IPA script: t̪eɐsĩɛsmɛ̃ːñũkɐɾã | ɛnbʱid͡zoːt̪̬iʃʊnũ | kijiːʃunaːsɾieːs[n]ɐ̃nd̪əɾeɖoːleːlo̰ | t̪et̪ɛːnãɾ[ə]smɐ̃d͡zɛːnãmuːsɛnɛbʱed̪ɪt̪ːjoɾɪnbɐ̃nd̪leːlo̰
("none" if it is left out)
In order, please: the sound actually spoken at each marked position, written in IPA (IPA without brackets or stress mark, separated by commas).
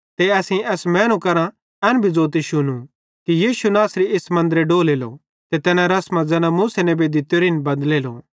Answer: m, ɐ